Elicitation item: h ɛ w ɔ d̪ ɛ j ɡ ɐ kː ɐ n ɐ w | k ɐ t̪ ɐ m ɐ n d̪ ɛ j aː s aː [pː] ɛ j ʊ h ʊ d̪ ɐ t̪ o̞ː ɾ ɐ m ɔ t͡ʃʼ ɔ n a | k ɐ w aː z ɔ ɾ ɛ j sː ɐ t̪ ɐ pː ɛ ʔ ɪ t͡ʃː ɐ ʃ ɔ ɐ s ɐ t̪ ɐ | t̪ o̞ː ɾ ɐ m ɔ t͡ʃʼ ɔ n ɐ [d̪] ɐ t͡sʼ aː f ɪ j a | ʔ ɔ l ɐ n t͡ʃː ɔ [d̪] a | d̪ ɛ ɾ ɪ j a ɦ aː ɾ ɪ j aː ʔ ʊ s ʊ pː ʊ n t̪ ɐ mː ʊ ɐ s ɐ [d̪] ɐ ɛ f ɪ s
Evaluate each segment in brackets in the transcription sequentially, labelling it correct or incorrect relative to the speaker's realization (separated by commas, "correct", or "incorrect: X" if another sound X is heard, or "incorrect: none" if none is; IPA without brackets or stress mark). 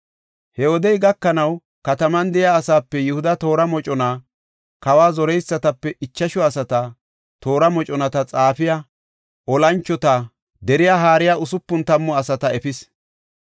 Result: correct, incorrect: t̪, incorrect: t̪, incorrect: t̪